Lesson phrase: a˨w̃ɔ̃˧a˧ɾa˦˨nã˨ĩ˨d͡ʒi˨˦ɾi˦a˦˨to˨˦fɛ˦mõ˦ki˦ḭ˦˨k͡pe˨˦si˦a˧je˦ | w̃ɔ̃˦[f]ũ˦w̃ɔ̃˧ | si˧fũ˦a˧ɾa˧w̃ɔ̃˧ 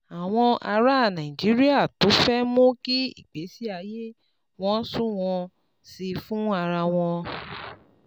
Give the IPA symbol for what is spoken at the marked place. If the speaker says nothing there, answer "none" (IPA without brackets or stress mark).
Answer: s